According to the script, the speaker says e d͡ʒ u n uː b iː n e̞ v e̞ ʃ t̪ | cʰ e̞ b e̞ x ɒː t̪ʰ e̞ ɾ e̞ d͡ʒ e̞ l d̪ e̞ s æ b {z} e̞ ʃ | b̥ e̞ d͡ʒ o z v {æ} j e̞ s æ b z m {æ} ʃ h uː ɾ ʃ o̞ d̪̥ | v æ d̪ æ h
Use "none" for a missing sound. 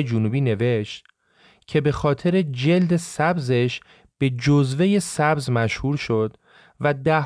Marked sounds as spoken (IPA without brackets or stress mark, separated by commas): z, e, æ